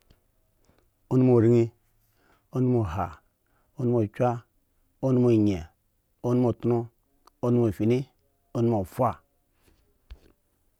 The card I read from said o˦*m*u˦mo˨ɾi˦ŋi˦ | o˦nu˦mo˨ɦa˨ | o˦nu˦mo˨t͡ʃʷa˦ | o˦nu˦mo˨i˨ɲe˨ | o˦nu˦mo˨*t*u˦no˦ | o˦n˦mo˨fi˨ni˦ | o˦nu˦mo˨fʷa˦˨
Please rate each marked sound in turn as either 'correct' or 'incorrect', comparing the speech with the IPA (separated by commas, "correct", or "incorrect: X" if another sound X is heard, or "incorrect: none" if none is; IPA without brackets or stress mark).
incorrect: n, correct